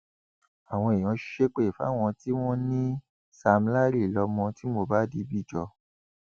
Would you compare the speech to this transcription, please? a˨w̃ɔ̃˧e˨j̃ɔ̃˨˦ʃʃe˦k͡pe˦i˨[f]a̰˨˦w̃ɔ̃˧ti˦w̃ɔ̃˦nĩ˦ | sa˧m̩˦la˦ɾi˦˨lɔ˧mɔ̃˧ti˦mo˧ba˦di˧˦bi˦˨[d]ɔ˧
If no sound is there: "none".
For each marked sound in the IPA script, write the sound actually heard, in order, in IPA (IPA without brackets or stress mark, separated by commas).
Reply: f, d͡ʒ